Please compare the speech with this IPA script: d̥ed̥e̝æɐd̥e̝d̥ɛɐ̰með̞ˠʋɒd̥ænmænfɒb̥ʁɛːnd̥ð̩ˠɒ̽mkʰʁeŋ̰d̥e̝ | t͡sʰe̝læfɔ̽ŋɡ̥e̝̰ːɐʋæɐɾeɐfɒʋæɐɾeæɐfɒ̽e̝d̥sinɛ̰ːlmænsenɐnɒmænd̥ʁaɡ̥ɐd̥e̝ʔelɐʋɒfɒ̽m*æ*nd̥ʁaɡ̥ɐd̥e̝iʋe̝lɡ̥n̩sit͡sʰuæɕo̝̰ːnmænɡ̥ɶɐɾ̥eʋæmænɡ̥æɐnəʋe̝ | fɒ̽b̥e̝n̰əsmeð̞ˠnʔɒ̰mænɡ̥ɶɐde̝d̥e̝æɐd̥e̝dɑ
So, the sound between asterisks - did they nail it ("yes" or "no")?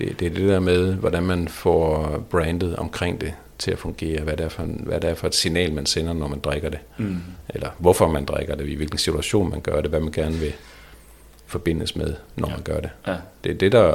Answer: yes